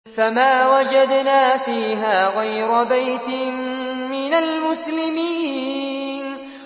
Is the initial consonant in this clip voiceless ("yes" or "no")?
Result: yes